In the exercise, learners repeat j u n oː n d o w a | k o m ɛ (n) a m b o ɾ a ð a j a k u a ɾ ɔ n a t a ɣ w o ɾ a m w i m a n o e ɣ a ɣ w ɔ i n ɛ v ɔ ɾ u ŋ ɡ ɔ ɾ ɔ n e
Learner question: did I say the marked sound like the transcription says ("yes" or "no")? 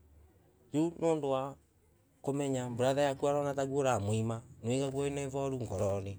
no